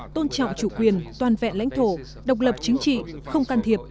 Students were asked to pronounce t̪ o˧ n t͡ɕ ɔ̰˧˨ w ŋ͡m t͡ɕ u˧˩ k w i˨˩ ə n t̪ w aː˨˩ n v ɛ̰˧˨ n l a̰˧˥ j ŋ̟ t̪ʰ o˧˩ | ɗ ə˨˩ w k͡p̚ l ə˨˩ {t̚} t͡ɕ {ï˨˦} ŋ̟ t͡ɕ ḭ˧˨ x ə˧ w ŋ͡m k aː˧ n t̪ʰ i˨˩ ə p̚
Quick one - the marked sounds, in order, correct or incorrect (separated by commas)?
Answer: incorrect, correct